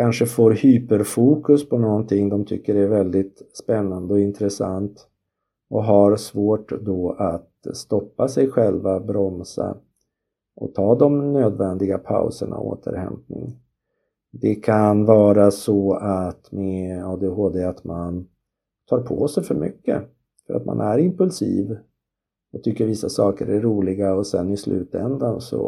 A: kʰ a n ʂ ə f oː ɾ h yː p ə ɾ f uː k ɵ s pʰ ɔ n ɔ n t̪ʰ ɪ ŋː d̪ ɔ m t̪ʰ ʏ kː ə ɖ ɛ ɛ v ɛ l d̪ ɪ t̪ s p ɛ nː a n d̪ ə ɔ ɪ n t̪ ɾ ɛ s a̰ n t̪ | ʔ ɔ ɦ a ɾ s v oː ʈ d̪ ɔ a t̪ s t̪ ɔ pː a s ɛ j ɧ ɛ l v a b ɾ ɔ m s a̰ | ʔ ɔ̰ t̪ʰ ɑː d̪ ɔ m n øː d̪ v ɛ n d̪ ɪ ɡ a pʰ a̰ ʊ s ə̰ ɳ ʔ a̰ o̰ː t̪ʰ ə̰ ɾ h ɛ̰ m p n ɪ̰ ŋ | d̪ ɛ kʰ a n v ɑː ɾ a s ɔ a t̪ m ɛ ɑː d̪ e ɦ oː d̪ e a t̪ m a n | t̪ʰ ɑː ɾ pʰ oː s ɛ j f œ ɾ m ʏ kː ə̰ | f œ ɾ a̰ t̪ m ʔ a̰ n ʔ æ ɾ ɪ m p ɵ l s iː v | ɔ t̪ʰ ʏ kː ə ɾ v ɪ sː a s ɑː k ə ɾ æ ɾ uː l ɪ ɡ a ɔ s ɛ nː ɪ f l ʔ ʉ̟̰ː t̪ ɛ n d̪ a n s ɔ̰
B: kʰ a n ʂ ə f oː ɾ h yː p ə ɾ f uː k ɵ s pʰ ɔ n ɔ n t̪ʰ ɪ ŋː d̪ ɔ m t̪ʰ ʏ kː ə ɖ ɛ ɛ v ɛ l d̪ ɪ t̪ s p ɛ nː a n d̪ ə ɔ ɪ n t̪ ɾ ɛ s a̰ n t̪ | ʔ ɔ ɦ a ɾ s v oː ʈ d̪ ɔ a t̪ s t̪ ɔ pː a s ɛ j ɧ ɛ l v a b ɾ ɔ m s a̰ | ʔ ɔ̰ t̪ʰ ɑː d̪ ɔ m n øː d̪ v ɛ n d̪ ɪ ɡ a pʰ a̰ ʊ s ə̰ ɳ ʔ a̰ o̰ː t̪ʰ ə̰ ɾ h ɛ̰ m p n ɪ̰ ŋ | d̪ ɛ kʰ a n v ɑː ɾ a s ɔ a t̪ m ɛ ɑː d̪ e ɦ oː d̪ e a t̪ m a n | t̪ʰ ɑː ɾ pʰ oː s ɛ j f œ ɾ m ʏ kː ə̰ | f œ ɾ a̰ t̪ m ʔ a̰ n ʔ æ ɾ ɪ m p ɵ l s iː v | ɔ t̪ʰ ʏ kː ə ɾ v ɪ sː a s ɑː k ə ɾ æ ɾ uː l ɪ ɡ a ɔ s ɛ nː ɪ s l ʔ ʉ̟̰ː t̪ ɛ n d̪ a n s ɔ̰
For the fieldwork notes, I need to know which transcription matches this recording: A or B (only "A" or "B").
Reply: B